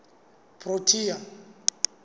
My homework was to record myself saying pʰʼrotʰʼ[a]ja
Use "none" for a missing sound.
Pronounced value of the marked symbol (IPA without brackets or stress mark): i